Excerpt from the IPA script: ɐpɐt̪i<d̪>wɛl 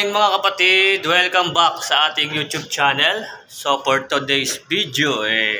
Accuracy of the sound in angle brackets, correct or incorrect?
correct